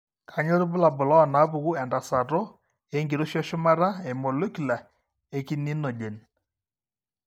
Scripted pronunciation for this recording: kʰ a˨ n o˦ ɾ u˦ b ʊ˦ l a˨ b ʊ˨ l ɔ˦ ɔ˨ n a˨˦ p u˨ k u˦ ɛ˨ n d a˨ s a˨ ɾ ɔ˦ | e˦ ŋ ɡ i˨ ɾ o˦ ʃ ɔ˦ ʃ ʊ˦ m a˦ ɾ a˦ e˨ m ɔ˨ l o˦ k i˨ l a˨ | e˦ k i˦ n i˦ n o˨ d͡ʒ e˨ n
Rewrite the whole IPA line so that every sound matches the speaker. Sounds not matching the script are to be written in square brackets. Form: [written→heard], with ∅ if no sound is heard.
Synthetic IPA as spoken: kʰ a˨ [n→ɲ] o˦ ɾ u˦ b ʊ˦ l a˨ b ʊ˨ l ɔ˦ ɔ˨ n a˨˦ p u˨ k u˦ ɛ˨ n d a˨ s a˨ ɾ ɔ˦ | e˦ ŋ ɡ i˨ ɾ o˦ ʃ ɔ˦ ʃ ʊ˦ m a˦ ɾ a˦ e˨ m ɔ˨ l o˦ k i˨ l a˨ | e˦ k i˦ n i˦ n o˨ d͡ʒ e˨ n